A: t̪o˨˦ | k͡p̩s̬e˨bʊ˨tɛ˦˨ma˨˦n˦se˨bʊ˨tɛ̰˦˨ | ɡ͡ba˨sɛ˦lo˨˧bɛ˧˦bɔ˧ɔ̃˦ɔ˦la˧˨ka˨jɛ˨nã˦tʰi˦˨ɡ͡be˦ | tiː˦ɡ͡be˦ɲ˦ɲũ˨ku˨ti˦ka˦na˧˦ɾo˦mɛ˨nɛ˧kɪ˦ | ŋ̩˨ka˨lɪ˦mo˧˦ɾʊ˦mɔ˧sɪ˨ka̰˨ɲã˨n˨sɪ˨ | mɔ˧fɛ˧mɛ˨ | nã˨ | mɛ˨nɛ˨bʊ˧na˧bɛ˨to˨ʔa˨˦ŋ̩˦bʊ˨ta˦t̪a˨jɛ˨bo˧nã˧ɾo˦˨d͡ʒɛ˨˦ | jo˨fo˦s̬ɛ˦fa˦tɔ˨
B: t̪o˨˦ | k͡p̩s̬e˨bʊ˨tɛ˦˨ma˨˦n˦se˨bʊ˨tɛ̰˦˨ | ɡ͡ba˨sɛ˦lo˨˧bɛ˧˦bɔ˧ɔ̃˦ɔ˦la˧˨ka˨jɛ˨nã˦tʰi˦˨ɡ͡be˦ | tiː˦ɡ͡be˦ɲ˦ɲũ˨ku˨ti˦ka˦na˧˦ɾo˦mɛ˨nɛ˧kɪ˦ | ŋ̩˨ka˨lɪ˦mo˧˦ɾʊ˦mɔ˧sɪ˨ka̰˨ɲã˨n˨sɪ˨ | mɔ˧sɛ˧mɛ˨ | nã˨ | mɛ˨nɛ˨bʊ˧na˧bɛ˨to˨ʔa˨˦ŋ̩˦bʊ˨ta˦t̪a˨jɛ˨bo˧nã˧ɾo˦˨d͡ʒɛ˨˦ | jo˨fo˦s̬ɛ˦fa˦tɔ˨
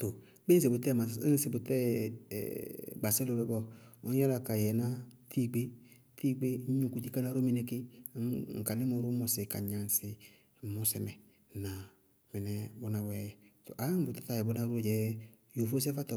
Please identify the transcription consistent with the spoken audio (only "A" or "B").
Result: B